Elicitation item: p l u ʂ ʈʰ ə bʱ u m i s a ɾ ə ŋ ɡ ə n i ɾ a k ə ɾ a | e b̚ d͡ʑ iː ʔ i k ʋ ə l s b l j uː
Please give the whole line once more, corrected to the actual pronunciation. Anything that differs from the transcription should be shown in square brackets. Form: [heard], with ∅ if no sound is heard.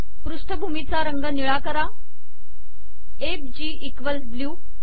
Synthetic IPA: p [ɾ] u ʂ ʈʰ ə bʱ u m i [t͡s] a ɾ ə ŋ ɡ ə n i [ɭ] a k ə ɾ a | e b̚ d͡ʑ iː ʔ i k ʋ ə l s b l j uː